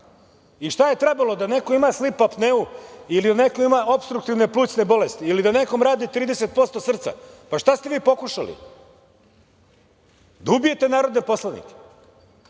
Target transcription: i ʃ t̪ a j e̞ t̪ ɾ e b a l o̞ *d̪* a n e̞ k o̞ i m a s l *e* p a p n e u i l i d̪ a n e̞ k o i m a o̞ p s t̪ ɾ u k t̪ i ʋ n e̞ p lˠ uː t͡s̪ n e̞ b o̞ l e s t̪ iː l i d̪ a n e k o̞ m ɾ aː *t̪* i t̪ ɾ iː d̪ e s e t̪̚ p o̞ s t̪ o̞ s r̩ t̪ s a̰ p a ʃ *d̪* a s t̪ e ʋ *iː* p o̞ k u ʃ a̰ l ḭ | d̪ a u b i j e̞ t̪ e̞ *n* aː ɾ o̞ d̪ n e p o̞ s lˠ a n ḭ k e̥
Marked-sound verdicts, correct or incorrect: correct, incorrect: i, incorrect: d̪, incorrect: t̪, correct, correct

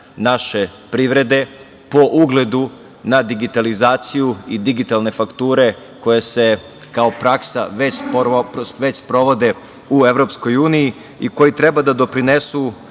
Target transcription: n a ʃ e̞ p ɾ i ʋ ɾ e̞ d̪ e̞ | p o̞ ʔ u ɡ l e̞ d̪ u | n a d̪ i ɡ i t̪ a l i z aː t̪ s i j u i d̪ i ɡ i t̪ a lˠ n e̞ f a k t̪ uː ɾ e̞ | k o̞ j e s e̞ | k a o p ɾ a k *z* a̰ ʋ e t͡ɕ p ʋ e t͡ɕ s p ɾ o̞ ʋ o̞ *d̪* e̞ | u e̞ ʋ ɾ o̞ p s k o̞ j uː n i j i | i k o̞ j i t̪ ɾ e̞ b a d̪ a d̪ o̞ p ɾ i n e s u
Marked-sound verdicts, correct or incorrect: incorrect: s, correct

